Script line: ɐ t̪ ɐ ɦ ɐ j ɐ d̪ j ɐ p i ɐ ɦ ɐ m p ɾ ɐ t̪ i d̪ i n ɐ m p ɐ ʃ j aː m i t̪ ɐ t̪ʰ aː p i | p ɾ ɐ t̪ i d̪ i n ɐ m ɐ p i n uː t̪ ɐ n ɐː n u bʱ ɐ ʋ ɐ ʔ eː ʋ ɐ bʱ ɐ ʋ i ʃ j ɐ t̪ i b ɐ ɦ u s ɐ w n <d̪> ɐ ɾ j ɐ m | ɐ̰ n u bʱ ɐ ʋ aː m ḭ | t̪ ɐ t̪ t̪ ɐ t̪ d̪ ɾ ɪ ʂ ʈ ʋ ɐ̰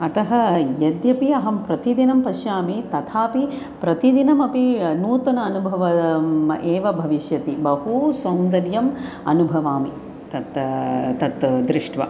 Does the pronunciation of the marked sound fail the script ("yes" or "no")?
no